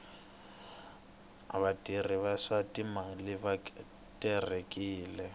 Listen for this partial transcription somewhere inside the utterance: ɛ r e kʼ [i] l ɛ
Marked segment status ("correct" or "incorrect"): incorrect